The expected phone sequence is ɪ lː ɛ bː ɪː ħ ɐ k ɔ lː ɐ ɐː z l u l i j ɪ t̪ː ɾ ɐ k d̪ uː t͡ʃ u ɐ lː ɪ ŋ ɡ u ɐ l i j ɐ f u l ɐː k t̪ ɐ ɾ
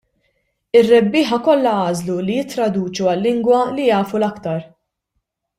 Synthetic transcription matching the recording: ɪ rː ɛ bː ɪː ħ ɐ k ɔ lː ɐ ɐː z l u l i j ɪ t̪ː ɾ ɐ d̪ uː t͡ʃ u ɐ lː ɪ ŋ ɡ w ɐ l i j ɐː f u l ɐ k t̪ ɐ ɾ